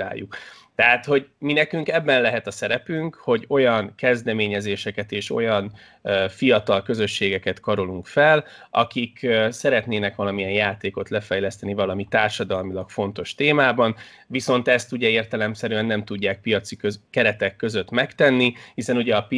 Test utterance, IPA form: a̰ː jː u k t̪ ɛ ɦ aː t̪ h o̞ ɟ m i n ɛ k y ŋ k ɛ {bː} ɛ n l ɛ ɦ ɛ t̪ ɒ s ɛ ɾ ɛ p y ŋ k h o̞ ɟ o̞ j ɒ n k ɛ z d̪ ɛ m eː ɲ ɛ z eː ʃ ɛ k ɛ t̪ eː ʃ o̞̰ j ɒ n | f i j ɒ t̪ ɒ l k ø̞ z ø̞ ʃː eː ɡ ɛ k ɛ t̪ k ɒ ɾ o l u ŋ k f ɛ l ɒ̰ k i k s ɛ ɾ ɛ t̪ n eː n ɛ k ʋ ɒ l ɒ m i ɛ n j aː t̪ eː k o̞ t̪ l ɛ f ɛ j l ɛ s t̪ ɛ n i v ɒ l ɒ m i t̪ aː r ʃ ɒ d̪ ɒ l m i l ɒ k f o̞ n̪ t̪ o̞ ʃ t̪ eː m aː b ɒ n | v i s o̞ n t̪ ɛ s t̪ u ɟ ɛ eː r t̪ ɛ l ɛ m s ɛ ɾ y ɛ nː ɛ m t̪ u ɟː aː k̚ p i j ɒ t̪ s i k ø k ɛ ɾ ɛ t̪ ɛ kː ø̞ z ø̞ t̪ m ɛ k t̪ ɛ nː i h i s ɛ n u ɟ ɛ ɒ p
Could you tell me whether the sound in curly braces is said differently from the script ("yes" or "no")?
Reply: no